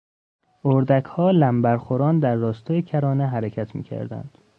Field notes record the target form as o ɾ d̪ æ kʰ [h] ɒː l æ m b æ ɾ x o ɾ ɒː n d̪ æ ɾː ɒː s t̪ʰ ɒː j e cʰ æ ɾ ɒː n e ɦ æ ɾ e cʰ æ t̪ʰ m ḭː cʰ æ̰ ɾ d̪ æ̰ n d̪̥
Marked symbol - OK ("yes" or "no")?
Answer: yes